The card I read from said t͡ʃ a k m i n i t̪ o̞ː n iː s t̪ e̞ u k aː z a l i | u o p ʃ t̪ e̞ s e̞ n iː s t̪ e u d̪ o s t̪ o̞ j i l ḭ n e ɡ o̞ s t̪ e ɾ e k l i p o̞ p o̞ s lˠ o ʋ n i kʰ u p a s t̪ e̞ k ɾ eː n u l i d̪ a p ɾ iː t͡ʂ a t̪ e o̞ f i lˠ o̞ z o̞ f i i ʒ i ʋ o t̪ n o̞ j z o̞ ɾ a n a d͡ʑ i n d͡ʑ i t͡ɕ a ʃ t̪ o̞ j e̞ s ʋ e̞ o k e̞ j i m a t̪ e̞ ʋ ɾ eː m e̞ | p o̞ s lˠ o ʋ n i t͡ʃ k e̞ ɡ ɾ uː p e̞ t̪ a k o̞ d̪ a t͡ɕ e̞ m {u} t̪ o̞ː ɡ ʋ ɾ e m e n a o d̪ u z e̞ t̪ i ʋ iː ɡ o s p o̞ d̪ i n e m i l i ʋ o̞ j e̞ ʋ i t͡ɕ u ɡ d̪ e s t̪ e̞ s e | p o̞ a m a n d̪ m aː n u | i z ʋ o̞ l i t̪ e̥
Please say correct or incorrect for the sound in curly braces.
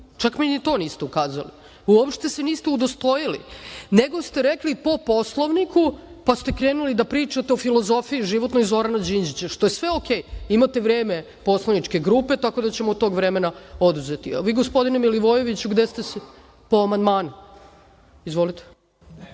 incorrect